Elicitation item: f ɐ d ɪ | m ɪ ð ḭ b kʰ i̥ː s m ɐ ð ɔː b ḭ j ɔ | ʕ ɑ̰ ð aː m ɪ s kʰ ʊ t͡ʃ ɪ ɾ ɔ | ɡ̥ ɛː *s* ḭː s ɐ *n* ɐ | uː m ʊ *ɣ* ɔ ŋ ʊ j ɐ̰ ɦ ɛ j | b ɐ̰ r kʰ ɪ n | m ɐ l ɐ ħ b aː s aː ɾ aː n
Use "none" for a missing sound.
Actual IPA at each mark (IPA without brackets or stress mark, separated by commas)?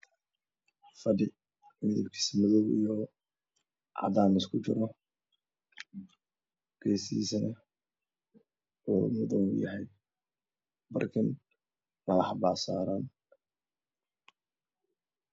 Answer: s, n, ð